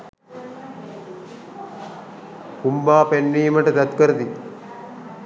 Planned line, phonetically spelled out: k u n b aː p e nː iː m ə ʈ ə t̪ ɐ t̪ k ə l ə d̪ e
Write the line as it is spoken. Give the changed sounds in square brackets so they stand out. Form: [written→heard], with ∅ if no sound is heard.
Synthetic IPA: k u [n→m] b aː p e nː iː m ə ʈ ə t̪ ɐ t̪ k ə [l→ɾ] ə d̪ [e→i]